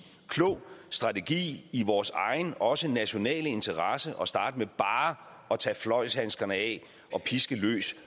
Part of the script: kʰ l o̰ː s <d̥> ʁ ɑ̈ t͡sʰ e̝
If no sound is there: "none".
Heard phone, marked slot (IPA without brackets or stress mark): d̥